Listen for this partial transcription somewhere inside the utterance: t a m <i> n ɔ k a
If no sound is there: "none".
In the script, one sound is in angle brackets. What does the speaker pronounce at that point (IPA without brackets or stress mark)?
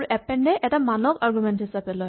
a